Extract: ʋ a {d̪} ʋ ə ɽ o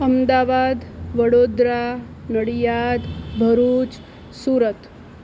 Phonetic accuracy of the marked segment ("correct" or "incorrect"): correct